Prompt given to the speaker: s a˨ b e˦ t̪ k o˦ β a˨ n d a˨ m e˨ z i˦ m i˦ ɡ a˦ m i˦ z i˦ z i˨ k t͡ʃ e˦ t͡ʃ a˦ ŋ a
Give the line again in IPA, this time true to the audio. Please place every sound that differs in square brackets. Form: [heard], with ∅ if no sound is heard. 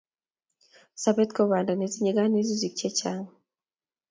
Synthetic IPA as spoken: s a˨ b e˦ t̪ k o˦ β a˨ n d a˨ [n] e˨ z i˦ [ɲ] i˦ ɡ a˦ [n] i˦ z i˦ z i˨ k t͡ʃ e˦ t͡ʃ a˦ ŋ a